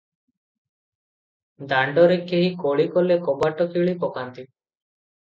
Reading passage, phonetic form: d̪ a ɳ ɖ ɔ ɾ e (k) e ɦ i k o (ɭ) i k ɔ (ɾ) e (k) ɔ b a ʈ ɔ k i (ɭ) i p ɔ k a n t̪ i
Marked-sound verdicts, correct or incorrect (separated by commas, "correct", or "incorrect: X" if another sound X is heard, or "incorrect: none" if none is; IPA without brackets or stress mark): correct, correct, incorrect: l, correct, correct